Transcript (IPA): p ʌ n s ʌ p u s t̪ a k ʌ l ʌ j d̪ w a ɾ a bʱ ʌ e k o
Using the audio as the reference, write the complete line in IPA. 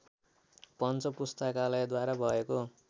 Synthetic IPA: p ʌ n t͡s ʌ p u s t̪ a k a l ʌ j d̪ w a ɾ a bʱ ʌ e k o